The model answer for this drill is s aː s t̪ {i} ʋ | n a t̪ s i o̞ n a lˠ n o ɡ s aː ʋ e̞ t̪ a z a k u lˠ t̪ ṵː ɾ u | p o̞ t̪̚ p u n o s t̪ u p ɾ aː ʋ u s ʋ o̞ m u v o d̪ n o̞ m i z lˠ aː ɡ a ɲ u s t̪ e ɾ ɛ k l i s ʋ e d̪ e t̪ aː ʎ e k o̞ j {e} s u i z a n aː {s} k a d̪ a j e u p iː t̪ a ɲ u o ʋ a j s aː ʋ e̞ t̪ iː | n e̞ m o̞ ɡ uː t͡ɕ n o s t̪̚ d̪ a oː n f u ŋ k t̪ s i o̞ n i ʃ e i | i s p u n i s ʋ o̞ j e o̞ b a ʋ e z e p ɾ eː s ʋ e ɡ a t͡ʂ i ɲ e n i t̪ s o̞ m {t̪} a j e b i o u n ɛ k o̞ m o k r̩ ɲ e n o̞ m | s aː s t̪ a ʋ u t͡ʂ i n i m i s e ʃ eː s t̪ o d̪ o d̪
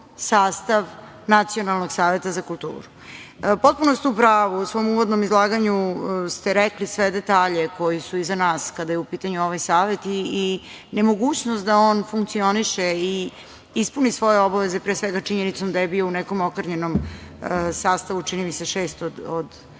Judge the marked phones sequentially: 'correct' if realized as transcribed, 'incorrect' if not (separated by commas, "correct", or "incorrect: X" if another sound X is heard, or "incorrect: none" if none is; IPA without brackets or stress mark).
incorrect: a, incorrect: i, correct, incorrect: d̪